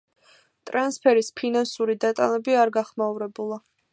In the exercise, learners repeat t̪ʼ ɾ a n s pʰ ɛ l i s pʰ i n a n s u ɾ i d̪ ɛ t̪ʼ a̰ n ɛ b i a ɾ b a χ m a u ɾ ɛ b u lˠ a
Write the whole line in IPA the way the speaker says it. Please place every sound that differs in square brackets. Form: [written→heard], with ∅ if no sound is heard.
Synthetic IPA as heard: t̪ʼ ɾ a n s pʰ ɛ [l→ɾ] i s pʰ i n a n s u ɾ i d̪ [ɛ→a] t̪ʼ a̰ n ɛ b i a ɾ [b→ɡ] a χ m a u ɾ ɛ b u lˠ a